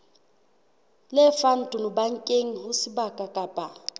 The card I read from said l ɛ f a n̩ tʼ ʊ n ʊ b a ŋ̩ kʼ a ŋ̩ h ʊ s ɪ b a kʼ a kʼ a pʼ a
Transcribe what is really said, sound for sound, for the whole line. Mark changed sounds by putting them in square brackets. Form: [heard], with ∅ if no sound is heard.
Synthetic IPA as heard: l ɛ f a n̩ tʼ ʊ n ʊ b a ŋ̩ kʼ [e] ŋ̩ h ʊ s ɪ b a kʼ a kʼ a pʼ a